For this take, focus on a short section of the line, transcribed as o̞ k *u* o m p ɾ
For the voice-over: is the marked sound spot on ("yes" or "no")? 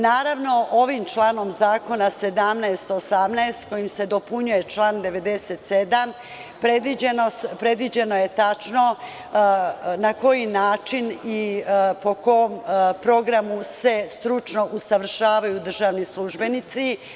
no